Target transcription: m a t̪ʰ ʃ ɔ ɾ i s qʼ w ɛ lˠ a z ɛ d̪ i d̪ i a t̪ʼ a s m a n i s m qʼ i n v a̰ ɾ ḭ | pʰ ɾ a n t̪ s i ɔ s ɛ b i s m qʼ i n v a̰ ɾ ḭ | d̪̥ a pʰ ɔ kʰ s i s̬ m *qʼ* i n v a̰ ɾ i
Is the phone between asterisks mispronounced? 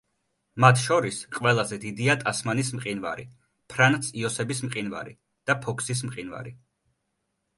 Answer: no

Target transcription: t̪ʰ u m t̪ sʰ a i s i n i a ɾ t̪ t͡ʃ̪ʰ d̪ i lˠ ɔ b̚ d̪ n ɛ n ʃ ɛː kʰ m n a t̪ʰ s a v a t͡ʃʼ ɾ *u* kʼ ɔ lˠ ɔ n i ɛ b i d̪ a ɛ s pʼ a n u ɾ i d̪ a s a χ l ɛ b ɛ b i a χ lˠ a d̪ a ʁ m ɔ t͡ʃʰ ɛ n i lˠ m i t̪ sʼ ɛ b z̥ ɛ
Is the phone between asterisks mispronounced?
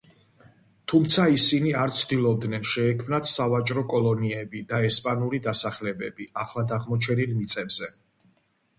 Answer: yes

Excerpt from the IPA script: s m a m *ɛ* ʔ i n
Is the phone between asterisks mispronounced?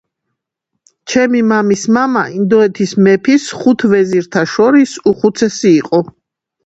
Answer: yes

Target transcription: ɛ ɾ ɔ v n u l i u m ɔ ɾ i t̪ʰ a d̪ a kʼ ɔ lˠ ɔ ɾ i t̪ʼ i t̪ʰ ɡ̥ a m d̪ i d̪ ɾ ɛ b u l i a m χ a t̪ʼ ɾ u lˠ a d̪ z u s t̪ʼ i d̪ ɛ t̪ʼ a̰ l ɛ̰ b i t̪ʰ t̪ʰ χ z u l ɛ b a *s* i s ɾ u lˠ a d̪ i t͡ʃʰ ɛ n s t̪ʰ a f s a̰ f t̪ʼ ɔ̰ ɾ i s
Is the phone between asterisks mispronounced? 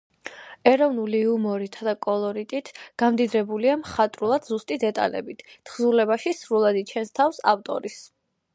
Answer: yes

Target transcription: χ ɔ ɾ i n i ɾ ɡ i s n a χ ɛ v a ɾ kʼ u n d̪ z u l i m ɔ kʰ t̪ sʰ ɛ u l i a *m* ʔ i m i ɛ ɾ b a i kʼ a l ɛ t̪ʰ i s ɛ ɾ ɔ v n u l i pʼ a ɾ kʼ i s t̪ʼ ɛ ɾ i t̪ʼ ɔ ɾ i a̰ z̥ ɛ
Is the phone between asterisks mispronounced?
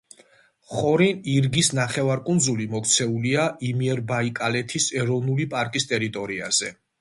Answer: yes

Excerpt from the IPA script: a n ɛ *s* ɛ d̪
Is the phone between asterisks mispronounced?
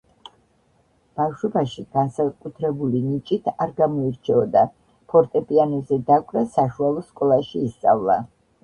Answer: yes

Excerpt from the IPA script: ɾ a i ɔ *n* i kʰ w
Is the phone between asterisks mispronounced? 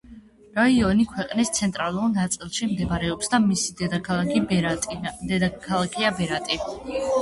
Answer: no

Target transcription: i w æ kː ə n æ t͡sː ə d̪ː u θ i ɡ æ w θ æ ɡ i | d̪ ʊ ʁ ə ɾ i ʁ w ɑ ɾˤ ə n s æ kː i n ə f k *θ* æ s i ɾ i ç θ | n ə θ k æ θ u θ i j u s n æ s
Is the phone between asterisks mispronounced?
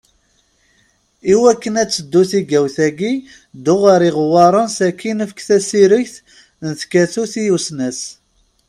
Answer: no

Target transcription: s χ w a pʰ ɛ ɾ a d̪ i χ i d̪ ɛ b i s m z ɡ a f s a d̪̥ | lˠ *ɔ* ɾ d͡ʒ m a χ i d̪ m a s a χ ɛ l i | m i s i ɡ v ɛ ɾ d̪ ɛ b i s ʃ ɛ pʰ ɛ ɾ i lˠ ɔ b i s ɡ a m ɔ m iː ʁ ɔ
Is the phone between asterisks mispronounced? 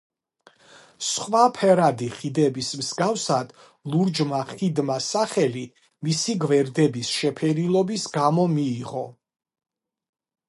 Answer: yes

